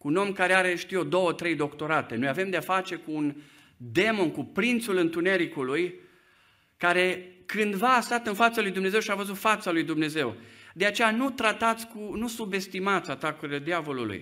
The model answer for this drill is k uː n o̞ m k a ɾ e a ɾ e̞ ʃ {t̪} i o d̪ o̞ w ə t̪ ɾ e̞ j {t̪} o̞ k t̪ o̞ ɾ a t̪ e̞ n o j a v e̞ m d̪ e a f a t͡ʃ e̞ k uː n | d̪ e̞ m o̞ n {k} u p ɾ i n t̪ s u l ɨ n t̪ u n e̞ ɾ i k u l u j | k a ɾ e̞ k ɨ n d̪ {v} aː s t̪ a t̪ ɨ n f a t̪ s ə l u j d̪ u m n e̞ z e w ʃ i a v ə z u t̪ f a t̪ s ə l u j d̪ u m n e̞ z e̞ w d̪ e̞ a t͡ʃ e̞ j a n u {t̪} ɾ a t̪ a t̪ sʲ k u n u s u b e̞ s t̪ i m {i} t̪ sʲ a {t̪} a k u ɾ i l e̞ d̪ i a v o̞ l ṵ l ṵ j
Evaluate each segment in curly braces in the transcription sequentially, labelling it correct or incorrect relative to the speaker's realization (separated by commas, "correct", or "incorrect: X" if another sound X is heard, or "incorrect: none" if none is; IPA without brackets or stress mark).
correct, incorrect: d̪, correct, correct, correct, incorrect: a, correct